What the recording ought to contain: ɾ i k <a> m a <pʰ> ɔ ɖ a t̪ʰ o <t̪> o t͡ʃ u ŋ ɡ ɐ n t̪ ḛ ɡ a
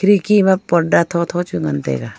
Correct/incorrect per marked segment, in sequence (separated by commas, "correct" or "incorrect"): incorrect, incorrect, incorrect